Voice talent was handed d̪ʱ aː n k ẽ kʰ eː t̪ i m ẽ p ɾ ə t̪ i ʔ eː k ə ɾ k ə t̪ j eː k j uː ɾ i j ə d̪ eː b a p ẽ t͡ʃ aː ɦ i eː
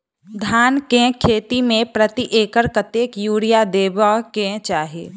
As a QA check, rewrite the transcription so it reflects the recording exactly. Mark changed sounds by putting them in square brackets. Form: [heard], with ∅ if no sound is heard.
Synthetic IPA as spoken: d̪ʱ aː n k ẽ kʰ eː t̪ i m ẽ p ɾ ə t̪ i ʔ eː k ə ɾ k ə t̪ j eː k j uː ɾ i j [a] d̪ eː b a [k] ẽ t͡ʃ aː ɦ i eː